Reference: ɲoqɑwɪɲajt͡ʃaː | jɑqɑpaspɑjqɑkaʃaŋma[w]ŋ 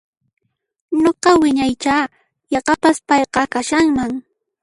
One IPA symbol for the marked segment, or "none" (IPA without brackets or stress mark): none